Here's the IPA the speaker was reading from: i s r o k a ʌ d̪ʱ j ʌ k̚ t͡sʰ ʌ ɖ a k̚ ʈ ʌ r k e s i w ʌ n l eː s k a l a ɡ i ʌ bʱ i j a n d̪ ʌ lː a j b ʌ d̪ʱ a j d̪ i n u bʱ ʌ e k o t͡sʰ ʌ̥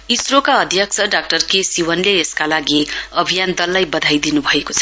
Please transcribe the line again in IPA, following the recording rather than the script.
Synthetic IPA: i s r o k a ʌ d̪ʱ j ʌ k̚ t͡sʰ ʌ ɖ a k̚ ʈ ʌ r k e s i w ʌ n l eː s k a l a ɡ i ʌ bʱ i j a n d̪ ʌ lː a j b ʌ d̪ʱ a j d̪ i n u bʱ ʌ e k o t͡sʰ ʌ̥